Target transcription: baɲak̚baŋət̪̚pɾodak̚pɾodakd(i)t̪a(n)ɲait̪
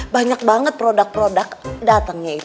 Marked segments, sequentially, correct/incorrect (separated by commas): incorrect, incorrect